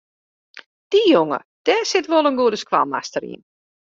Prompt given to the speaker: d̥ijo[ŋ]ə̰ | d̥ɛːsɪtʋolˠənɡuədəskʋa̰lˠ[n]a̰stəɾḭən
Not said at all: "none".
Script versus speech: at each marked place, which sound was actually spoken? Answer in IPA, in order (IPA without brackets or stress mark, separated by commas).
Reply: ŋ, m